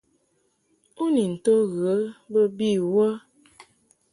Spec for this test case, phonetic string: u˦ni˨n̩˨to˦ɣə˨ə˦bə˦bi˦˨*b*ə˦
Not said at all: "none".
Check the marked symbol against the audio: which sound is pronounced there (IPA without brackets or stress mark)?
w